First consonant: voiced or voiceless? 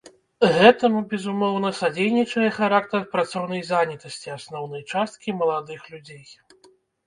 voiced